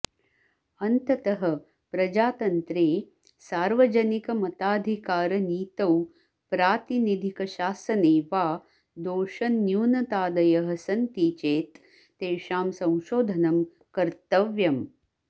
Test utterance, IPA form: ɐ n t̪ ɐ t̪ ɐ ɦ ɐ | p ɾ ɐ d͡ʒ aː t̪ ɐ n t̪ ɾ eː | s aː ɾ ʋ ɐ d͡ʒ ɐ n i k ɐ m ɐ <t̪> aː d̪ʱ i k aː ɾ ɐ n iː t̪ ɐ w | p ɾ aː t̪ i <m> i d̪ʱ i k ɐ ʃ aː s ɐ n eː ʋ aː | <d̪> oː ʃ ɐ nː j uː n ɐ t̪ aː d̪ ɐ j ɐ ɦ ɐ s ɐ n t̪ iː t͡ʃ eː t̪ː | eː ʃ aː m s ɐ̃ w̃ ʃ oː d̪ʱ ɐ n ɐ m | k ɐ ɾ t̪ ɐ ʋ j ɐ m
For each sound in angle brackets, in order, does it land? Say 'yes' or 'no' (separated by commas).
yes, no, yes